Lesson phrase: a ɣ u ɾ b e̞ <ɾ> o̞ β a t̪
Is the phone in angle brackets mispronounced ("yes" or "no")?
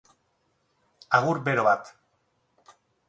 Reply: no